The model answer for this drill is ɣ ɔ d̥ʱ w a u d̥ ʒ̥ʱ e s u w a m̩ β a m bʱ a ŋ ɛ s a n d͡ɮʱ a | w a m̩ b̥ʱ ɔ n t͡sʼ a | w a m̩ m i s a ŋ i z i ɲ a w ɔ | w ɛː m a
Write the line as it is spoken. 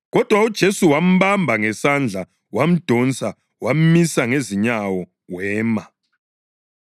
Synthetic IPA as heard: ɣ ɔ d̥ʱ w a u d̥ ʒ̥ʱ e s u w a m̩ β a m bʱ a ŋ ɛ s a n d͡ɮʱ a | w a m̩ d̥ʱ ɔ n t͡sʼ a | w a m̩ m i s a ŋ e z i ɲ a w ɔ | w ɛː m a